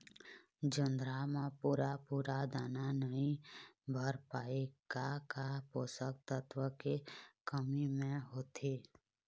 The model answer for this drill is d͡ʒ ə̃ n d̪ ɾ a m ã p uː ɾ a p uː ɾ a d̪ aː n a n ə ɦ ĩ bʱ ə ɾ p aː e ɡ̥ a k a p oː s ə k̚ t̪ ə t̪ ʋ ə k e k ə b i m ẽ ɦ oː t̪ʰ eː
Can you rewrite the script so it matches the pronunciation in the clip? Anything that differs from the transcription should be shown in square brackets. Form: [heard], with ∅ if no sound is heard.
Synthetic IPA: d͡ʒ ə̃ n d̪ ɾ a m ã p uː ɾ a p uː ɾ a d̪ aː n a n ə ɦ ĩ bʱ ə ɾ p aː e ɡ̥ a k a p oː s ə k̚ t̪ ə t̪ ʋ ə k e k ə [m] i m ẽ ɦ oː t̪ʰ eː

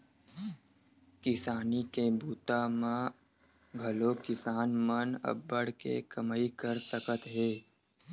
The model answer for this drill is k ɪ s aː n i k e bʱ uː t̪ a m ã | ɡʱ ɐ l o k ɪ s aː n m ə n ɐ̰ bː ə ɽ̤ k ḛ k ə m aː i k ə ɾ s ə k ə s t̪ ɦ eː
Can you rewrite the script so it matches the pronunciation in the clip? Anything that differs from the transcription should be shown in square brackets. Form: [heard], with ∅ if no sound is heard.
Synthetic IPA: k ɪ s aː n i k e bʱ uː t̪ a m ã | ɡʱ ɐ l o k ɪ s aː n m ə n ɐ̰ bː ə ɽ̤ k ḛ k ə m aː i k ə ɾ s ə k ə [∅] t̪ ɦ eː

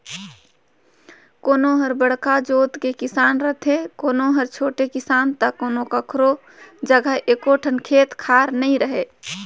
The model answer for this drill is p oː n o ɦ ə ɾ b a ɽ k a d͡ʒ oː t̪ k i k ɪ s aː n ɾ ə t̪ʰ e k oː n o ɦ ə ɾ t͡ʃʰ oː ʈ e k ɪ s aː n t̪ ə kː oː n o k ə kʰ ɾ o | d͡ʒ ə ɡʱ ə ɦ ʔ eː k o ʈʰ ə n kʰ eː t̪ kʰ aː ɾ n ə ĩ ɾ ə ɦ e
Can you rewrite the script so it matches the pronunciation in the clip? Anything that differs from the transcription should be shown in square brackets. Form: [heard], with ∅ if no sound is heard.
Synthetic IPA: [k] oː n o ɦ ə ɾ b [ə] ɽ k a d͡ʒ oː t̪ k [e] k ɪ s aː n ɾ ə t̪ʰ e k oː n o ɦ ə ɾ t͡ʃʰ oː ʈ e k ɪ s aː n t̪ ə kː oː n o k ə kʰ ɾ o | d͡ʒ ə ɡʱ ə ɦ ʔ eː k o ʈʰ ə n kʰ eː t̪ kʰ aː ɾ n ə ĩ ɾ ə ɦ e

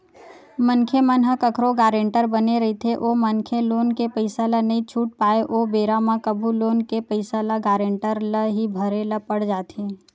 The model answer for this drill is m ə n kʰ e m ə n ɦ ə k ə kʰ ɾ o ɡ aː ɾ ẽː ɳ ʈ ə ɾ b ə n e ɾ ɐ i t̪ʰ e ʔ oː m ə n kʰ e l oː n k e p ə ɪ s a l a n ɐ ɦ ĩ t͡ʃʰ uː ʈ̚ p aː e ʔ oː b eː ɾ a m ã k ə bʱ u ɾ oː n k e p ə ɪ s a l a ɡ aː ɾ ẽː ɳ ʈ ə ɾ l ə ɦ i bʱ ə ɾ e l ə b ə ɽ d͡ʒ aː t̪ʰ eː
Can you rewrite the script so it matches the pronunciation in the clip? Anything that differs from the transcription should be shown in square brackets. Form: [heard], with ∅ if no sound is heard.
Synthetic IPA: m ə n kʰ e m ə n ɦ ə k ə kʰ ɾ o ɡ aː ɾ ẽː ɳ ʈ ə ɾ b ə n e ɾ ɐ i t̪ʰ e ʔ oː m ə n kʰ e l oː n k e p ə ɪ s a l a n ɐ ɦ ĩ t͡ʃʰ uː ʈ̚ p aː e ʔ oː b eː ɾ a m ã k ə bʱ u [l] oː n k e p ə ɪ s a l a ɡ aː ɾ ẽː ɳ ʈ ə ɾ l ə ɦ i bʱ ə ɾ e l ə [p] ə ɽ d͡ʒ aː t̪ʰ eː

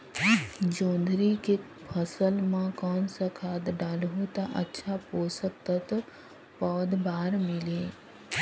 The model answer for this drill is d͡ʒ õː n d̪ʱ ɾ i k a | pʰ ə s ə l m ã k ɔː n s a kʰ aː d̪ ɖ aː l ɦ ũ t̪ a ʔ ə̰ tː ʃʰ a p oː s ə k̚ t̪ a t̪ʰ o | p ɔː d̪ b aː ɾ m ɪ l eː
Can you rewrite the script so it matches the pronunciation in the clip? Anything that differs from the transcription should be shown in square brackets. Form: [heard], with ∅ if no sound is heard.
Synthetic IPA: d͡ʒ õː n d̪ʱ ɾ i k [e] | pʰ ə s ə l m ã k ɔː n s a kʰ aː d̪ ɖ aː l ɦ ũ t̪ a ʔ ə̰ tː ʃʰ a p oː s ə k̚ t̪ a [t̪] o | p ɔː d̪ b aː ɾ m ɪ l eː

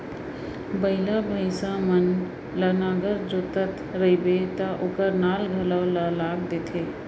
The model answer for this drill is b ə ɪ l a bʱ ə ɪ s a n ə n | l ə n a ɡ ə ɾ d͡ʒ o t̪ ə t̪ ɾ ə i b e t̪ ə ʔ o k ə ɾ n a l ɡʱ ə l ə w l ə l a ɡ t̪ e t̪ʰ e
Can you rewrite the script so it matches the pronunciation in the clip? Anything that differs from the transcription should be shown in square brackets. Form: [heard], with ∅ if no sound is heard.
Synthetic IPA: b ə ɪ l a bʱ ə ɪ s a [m] ə n | l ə n a ɡ ə ɾ d͡ʒ o t̪ ə t̪ ɾ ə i b e t̪ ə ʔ o k ə ɾ n a l ɡʱ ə l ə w l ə l a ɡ [d̪] e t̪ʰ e

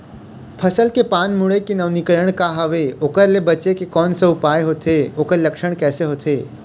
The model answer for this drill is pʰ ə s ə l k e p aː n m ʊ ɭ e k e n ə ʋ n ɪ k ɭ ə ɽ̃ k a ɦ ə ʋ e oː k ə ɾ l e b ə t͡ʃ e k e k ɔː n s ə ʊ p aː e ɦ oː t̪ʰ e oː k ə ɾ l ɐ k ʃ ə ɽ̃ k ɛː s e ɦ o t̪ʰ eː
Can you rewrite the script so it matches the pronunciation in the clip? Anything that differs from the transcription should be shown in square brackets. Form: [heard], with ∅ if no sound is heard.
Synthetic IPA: pʰ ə s ə l k e p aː n m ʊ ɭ e k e n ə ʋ n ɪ k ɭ ə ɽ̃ k a ɦ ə ʋ e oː k ə ɾ l e b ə t͡ʃ e k e k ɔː n s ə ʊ p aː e ɦ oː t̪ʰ e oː k ə ɾ l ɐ k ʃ ə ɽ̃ k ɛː s e ɦ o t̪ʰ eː

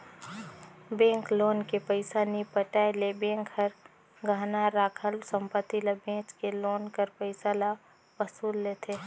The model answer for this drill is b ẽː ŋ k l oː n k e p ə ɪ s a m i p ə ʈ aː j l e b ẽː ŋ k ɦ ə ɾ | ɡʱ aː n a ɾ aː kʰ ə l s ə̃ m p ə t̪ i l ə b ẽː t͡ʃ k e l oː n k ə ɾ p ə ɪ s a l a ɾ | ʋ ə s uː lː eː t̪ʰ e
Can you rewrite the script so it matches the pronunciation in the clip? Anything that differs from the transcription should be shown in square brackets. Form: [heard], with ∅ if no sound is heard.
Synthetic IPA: b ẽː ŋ k l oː n k e p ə ɪ s a [n] i p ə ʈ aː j l e b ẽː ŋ k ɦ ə ɾ | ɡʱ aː n a ɾ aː kʰ ə l s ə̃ m p ə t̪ i l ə b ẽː t͡ʃ k e l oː n k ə ɾ p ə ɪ s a l a [∅] | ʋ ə s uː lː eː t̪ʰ e

